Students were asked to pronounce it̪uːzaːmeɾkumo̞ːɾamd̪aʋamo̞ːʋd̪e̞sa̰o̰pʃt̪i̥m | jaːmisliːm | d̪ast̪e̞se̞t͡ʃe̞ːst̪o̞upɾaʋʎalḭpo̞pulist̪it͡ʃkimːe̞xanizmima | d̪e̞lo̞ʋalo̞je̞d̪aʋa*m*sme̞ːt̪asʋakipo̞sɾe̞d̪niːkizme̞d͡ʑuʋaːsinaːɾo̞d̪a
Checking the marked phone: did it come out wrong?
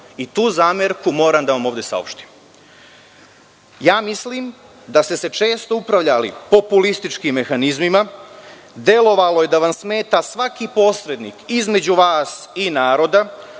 no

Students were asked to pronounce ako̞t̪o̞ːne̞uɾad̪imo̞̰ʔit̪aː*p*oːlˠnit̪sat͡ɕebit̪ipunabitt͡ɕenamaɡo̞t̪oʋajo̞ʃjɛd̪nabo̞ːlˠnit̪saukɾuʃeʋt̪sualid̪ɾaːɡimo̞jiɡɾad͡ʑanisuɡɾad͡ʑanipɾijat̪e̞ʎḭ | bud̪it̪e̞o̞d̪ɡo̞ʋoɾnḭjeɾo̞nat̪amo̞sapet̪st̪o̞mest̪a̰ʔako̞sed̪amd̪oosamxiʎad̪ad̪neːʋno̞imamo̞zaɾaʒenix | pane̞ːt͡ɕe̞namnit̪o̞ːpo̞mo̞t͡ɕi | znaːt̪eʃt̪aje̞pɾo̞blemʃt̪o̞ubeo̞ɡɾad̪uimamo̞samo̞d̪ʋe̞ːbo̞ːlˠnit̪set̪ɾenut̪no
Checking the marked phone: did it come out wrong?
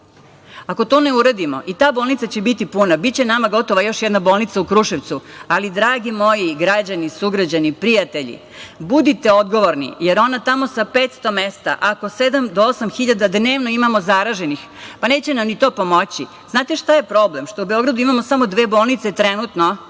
yes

